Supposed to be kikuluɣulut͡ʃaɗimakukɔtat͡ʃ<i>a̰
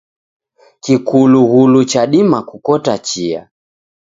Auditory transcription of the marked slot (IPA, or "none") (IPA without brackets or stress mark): i